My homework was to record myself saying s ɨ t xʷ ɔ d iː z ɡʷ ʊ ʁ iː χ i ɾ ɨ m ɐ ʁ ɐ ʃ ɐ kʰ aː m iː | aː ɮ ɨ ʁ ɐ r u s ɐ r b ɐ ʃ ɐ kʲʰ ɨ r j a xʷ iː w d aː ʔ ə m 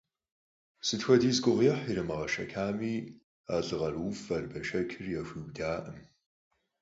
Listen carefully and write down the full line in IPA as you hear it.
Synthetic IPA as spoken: s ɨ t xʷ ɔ d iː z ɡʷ ʊ ʁ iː ħ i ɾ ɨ m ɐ ʁ ɐ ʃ ɐ kʰ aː m iː | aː ɮ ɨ ʁ ɐ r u f ɐ r b ɐ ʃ ɐ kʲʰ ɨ r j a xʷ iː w d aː ʔ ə m